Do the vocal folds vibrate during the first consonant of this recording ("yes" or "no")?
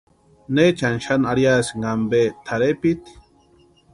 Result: yes